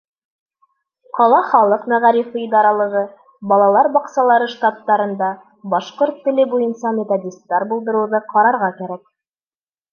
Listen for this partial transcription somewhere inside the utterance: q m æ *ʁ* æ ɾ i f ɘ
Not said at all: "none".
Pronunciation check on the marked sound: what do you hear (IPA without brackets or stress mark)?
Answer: ʁ